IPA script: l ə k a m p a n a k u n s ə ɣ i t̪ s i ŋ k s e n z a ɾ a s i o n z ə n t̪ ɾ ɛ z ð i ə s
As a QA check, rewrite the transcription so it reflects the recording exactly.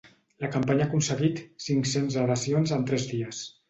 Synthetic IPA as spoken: l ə k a m p a ɲ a k u n s ə ɣ i t̪ s i ŋ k s e n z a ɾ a s i o n z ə n t̪ ɾ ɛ z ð i ə s